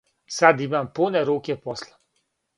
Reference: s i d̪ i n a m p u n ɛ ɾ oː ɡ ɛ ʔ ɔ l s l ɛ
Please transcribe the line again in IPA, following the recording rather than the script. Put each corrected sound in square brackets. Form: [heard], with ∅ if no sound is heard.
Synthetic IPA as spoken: s [a] d̪ i [m] a m p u n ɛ ɾ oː [k] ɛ [p] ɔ [∅] s l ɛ